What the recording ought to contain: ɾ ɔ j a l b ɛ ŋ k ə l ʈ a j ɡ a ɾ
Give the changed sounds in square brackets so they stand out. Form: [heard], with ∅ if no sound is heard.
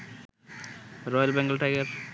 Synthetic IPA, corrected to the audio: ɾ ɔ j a l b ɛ ŋ [ɡ] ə l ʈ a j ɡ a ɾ